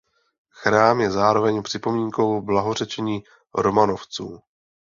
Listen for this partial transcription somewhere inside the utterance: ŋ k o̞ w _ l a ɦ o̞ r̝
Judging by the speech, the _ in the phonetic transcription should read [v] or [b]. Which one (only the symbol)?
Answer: b